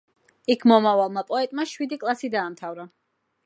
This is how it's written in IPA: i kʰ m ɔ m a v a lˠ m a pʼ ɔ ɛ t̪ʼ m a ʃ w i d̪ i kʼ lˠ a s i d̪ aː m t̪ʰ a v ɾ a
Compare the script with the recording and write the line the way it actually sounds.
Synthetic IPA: i kʰ m ɔ m a v a lˠ m a pʼ ɔ ɛ t̪ʼ m a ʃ w i d̪ i kʼ lˠ a s i d̪ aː m t̪ʰ a v ɾ a